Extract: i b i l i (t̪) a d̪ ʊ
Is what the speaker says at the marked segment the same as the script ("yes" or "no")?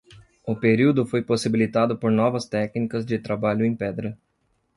yes